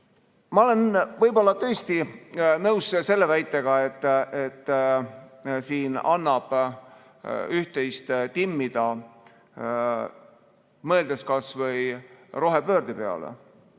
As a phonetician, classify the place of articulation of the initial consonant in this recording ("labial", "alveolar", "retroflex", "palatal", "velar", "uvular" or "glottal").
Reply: labial